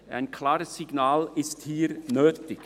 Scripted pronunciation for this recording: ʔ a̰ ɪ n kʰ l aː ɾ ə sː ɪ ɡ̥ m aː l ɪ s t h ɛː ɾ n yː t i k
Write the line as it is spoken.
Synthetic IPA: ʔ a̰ ɪ n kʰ l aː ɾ ə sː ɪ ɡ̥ n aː l ɪ s t h iː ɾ n øː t ɪ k